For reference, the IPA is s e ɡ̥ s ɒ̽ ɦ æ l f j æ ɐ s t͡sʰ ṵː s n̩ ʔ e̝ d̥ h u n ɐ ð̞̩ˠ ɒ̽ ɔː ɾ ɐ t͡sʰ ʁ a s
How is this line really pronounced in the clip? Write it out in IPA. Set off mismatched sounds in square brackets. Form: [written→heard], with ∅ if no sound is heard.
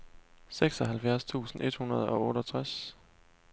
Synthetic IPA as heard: s e ɡ̥ s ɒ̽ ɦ æ l f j æ ɐ s t͡sʰ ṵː s n̩ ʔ e̝ d̥ h u n ɐ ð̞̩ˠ ɒ̽ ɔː ɾ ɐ t͡sʰ ʁ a s